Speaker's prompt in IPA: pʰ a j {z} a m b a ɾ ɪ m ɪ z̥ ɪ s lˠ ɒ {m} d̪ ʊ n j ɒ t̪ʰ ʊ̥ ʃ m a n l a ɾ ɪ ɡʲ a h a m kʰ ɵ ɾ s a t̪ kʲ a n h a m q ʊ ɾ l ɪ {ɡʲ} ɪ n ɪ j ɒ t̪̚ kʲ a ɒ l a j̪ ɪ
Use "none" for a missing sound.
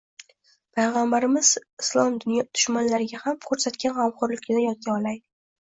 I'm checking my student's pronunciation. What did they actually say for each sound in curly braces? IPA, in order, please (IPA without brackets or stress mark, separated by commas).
ʁ, m, kʲ